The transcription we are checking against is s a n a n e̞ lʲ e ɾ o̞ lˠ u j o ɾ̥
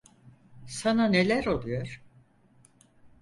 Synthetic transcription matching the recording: s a n a n e̞ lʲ æ ɾ o̞ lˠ u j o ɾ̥